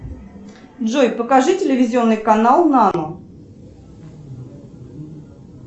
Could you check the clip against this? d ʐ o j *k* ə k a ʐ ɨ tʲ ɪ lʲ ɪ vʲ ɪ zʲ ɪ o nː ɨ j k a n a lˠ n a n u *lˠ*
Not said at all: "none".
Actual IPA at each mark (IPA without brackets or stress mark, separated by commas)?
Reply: p, none